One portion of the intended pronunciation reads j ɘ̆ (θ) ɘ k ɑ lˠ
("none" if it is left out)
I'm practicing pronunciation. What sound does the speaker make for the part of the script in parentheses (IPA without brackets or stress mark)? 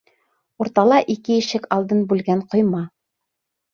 ʃ